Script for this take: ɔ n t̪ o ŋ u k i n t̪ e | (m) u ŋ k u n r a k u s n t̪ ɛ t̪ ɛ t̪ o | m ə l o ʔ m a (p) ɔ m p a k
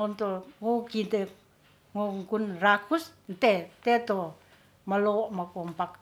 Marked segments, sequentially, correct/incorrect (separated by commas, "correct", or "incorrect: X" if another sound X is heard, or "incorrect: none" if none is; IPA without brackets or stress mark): incorrect: ŋ, incorrect: k